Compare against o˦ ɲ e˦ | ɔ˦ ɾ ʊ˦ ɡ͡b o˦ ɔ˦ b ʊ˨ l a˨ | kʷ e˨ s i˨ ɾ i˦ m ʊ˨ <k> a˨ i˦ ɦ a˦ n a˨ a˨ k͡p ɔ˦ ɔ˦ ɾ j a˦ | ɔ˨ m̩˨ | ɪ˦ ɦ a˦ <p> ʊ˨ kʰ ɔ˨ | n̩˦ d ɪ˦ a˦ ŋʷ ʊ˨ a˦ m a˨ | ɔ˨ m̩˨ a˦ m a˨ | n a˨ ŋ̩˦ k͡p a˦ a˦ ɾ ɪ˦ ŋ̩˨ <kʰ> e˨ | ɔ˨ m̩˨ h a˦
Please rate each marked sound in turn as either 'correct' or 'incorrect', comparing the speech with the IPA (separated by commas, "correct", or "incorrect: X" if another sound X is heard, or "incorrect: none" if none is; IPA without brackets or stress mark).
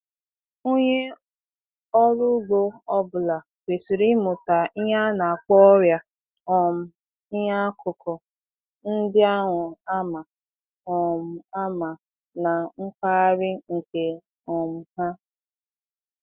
incorrect: t, incorrect: k, incorrect: k